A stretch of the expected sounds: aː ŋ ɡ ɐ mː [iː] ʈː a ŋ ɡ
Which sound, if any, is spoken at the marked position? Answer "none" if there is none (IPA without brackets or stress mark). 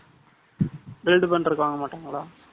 aː